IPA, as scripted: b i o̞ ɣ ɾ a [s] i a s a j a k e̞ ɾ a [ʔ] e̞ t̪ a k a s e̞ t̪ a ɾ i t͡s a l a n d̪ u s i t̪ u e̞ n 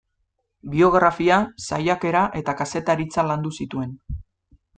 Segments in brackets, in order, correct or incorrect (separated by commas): incorrect, correct